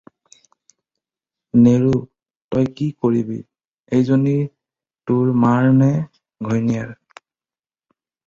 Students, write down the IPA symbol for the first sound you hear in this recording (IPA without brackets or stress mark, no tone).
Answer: n